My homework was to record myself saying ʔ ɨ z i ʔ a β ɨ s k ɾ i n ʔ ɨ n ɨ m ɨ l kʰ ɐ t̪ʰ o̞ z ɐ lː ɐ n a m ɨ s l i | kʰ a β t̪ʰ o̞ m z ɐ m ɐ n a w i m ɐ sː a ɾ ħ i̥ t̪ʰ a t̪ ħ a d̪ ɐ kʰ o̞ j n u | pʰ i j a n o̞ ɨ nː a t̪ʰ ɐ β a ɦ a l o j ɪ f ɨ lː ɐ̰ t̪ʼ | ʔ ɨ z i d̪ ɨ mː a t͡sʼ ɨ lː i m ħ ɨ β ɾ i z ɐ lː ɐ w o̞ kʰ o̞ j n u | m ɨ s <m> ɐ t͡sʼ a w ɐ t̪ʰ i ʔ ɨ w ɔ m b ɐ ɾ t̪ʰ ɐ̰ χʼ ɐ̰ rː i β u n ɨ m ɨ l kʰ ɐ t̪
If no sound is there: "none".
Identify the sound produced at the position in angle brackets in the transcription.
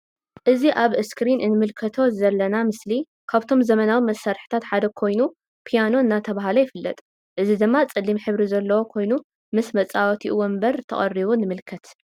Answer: m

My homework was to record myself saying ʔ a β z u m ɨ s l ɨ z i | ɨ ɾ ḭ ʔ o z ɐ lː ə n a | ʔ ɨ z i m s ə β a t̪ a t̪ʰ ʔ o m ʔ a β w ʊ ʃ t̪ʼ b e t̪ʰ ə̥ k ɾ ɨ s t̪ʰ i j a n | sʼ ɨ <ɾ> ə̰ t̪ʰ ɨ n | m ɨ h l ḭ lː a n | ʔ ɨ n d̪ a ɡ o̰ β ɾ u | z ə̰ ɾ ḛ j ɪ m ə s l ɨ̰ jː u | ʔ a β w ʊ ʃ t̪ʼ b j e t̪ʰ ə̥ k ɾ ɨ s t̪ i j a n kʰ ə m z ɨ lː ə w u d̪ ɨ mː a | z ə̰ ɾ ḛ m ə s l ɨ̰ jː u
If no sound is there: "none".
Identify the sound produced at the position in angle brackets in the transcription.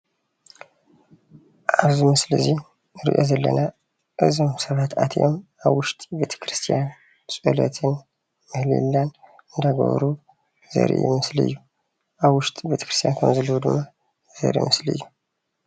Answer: l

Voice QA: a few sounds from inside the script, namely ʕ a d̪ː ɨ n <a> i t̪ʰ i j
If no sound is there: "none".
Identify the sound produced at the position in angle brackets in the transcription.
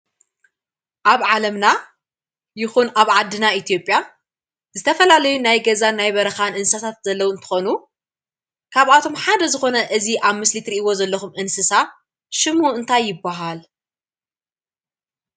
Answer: a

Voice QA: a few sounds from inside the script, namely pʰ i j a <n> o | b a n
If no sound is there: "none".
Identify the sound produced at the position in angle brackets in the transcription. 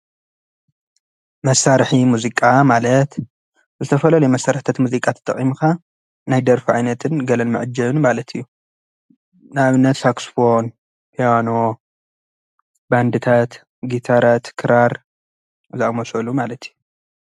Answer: n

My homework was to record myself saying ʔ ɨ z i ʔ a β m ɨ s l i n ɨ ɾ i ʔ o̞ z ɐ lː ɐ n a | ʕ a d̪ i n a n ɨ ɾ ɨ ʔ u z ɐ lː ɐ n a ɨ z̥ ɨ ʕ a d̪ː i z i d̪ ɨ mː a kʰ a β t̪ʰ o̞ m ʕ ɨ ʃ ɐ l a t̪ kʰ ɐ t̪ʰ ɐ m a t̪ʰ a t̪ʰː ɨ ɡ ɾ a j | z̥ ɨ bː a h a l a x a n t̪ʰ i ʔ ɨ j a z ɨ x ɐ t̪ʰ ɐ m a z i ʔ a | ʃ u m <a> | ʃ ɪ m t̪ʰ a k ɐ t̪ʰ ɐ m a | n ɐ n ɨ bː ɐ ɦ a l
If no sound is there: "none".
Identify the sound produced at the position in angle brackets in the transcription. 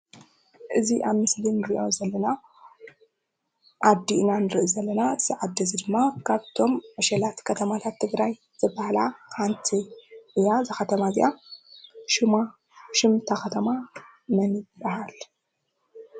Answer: a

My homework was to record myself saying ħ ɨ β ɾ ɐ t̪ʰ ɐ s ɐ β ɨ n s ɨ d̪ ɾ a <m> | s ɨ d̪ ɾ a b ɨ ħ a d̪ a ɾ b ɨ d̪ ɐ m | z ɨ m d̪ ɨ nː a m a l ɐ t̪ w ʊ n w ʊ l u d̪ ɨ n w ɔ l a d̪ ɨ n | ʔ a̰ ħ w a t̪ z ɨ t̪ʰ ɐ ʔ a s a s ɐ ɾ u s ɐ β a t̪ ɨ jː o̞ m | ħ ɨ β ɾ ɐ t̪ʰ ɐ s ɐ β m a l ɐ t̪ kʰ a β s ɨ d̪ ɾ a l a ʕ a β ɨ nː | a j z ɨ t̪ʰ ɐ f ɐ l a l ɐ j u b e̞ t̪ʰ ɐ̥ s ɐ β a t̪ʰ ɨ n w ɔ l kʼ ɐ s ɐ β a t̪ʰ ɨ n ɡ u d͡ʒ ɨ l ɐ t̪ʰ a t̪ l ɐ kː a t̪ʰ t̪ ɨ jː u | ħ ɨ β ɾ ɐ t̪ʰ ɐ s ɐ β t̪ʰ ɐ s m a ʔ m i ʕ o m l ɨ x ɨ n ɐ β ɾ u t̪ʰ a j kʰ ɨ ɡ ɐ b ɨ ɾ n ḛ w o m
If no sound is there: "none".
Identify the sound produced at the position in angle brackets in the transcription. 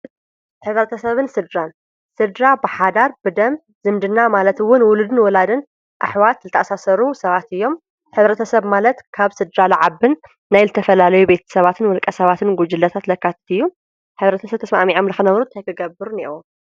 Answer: n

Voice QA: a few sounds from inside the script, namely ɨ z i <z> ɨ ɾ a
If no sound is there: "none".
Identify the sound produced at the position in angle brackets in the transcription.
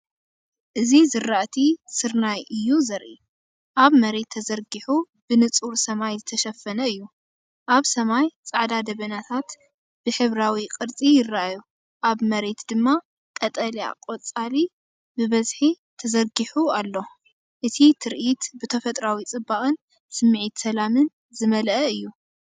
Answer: z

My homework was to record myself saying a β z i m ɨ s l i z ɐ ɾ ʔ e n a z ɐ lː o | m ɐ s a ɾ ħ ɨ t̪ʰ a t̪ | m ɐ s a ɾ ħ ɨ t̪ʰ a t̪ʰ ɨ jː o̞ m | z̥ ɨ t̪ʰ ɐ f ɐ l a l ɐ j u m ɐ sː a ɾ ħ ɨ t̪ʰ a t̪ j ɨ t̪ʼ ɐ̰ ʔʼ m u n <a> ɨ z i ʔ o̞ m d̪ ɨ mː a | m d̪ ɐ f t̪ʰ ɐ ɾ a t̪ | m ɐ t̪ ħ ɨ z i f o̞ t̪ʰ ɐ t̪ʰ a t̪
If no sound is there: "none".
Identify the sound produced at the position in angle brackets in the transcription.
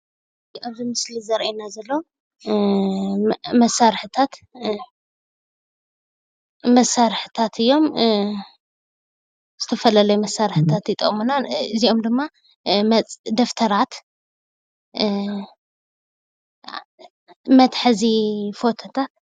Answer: a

